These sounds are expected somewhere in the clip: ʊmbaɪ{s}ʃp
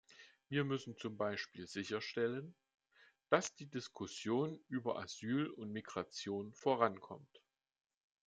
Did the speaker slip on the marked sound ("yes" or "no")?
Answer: yes